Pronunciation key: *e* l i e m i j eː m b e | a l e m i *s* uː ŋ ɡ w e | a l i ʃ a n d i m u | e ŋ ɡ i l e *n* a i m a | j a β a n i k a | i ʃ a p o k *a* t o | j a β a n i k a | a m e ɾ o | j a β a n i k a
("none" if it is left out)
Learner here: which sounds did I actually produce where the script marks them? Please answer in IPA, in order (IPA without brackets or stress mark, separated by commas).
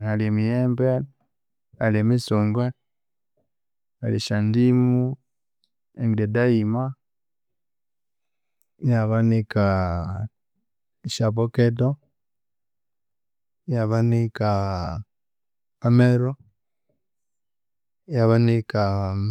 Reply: a, s, d, e